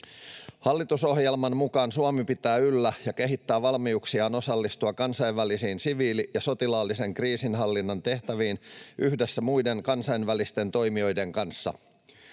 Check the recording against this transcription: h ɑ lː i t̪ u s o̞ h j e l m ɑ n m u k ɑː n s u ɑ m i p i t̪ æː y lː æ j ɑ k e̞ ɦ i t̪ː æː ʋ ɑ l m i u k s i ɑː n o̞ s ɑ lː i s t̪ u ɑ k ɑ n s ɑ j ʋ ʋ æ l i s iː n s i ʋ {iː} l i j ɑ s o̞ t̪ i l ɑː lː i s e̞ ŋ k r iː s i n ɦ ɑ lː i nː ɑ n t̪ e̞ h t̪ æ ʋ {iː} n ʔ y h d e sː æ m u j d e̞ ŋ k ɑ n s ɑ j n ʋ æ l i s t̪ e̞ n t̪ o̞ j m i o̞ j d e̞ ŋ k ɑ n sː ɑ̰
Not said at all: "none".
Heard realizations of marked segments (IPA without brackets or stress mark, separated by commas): iː, iː